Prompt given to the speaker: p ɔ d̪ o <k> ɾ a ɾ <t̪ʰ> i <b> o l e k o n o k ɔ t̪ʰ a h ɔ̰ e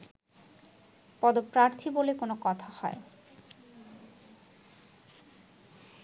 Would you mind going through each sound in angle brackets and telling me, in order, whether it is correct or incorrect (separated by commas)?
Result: incorrect, correct, correct